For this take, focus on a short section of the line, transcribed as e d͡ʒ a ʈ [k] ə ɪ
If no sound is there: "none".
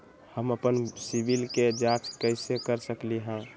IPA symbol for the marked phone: k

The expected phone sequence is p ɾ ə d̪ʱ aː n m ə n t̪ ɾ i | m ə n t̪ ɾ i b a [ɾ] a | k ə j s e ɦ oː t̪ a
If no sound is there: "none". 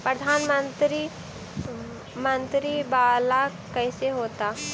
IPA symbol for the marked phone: l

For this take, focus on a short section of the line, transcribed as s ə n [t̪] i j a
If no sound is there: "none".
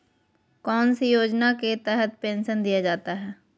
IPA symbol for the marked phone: d̪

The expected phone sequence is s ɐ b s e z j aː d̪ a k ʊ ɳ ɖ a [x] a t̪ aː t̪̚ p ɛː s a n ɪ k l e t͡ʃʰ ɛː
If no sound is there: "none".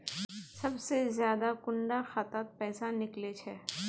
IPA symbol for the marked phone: x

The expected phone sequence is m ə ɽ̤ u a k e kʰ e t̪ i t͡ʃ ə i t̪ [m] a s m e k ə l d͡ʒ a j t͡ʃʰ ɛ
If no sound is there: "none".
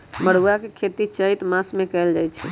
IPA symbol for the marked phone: m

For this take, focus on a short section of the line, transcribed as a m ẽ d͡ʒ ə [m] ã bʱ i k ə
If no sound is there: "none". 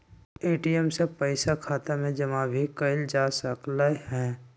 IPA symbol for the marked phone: m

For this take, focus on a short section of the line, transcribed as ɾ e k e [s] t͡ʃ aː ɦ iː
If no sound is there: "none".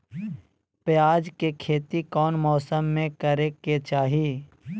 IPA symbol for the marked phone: none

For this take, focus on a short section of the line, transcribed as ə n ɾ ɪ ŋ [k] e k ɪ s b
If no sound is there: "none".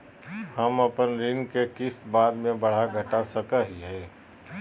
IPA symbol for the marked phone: k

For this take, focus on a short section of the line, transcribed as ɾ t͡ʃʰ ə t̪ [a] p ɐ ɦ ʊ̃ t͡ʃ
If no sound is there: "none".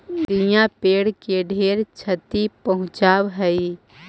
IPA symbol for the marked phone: i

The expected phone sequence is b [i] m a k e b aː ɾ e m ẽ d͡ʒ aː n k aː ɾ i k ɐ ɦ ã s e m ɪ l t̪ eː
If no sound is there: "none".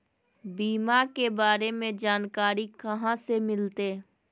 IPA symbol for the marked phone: iː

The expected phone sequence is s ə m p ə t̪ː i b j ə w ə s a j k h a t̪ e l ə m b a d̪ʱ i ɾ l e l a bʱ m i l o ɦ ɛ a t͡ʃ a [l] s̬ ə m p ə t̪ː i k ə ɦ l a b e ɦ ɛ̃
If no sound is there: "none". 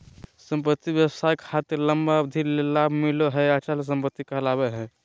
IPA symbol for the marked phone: l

